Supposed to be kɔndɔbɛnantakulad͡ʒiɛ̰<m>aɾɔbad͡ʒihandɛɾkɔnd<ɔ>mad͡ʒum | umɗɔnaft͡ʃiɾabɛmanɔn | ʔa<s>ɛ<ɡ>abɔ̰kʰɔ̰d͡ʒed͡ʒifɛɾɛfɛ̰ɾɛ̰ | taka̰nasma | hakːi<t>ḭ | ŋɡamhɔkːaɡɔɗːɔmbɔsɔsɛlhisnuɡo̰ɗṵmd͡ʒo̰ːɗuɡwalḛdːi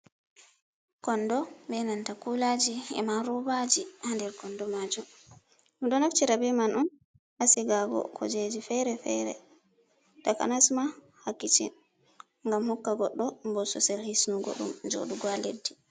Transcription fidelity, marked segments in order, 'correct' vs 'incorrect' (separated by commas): correct, correct, correct, correct, incorrect